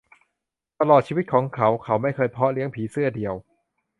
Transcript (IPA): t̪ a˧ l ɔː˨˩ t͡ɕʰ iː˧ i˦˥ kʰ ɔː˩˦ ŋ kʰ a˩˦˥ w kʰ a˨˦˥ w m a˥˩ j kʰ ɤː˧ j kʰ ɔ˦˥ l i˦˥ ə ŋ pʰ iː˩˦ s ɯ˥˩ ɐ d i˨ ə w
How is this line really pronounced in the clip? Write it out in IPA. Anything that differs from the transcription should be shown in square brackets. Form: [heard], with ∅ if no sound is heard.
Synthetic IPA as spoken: t̪ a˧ l ɔː˨˩ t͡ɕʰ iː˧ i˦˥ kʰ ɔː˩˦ ŋ kʰ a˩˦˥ w kʰ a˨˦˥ w m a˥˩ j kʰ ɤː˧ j [pʰ] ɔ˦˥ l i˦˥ ə ŋ pʰ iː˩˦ s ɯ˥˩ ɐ d i˨ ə w